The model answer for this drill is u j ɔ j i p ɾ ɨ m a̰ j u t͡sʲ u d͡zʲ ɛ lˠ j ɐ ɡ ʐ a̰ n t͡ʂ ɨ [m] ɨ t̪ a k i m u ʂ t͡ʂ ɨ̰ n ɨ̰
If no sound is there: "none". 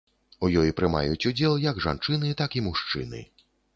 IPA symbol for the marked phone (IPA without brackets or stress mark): n